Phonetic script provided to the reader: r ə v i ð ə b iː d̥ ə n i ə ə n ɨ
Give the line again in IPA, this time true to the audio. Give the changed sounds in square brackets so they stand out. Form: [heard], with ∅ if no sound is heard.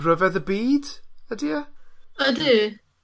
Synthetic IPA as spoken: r ə v [ɛ] ð ə b iː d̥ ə [d] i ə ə [d] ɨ